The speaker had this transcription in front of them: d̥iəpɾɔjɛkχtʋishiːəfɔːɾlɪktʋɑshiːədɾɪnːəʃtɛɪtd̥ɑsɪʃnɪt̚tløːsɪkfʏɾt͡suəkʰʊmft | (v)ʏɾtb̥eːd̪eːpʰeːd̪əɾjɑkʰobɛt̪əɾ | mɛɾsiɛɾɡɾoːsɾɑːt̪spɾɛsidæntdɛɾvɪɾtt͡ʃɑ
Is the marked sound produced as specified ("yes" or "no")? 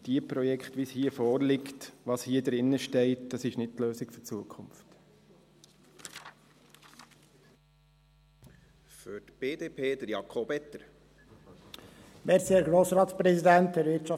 no